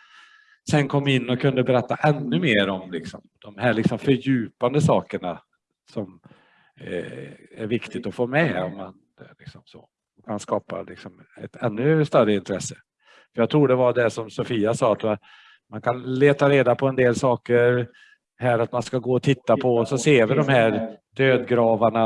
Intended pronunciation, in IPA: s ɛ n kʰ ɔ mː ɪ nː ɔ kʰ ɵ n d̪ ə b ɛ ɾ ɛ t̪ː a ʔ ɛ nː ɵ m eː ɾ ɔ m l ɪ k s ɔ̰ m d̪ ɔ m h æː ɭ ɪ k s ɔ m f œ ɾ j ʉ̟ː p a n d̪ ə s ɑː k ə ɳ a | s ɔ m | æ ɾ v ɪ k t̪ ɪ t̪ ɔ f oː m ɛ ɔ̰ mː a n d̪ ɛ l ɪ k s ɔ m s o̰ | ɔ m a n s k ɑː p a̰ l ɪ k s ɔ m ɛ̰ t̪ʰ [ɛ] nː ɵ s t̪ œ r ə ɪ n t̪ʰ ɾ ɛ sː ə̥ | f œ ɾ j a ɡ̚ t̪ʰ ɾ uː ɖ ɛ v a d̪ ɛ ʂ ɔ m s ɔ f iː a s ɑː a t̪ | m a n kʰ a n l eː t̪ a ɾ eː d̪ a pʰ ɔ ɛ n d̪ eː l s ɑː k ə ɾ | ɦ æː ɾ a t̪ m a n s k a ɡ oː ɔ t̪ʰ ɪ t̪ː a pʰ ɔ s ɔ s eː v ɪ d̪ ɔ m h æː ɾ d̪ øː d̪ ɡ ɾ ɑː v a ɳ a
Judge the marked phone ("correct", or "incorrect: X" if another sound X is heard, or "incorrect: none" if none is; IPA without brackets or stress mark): correct